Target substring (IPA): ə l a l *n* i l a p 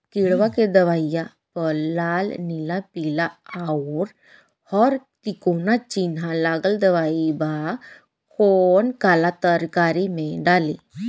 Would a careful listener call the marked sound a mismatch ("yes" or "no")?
no